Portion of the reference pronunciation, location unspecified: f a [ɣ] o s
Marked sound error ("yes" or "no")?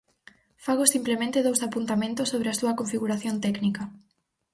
no